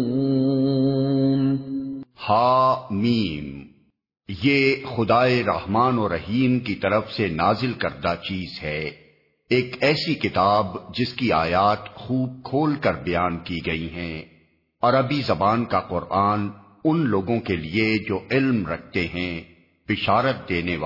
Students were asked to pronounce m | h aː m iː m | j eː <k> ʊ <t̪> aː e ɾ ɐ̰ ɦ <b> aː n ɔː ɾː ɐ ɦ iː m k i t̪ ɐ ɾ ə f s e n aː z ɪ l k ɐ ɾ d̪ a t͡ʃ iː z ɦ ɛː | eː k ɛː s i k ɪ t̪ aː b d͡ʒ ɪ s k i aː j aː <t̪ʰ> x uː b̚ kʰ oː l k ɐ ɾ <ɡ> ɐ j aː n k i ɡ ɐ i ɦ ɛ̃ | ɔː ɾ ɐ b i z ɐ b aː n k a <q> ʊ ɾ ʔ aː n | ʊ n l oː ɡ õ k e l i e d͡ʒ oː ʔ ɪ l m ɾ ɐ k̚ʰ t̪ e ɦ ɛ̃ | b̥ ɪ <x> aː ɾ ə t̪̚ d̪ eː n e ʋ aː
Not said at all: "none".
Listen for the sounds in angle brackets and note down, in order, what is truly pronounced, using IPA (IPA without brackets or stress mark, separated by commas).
x, d̪, m, t̪, b, q, ʃ